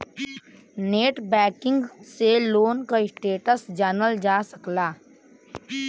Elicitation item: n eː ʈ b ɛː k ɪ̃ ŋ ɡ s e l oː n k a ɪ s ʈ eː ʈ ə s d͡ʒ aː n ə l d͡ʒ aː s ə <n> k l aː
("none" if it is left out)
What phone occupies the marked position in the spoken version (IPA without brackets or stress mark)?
none